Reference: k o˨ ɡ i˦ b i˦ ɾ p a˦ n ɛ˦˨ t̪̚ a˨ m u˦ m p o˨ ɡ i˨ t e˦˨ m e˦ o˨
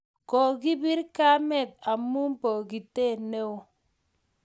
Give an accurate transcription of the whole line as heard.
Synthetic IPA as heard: k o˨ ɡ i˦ b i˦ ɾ k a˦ m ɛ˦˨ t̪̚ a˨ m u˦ m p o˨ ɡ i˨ t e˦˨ n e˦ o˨